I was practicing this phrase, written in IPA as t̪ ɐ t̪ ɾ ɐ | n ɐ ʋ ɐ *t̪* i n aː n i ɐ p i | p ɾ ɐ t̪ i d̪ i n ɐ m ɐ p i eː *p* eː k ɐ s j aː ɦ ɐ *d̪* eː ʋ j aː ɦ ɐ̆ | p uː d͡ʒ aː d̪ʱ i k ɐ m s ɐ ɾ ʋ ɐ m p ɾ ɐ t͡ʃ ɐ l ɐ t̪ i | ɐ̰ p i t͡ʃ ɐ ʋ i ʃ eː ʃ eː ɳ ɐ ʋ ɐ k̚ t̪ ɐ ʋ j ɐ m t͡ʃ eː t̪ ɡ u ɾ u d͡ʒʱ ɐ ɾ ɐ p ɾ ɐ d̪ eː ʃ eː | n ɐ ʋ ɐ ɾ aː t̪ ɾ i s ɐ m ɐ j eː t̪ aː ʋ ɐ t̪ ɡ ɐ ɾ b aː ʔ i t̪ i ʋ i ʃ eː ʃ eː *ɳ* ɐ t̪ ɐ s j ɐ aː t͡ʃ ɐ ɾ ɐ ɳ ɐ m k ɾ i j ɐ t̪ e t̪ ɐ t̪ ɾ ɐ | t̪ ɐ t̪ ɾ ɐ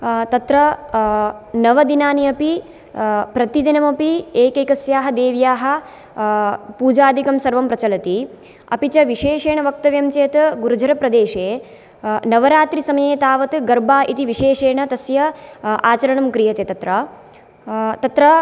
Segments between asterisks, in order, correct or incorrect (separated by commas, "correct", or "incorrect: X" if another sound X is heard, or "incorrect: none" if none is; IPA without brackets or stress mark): incorrect: d̪, incorrect: k, correct, correct